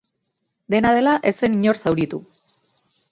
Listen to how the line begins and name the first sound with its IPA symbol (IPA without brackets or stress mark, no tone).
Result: d̪